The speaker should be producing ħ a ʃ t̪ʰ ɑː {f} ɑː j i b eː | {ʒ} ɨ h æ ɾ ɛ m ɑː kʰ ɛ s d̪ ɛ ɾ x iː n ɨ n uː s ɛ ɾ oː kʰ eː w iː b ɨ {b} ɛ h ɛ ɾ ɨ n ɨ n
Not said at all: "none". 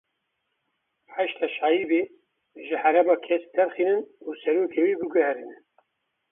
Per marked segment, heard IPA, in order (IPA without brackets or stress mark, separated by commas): ʃ, ʒ, ɡ